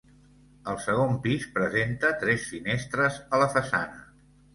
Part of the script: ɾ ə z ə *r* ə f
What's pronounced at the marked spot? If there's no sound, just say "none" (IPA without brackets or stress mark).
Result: l